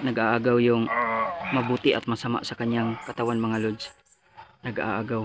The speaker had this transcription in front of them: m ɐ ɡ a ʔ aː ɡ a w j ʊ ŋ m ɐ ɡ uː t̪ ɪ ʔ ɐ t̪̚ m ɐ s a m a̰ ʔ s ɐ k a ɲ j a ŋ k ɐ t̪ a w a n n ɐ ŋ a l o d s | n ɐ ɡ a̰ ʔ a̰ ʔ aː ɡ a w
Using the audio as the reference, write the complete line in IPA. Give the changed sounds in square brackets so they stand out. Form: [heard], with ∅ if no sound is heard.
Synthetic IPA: [n] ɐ ɡ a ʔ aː ɡ a w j ʊ ŋ m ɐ [b] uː t̪ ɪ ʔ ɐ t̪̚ m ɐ s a m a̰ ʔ s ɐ k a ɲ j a ŋ k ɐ t̪ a w a n [m] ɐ ŋ a l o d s | n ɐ ɡ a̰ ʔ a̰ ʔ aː ɡ a w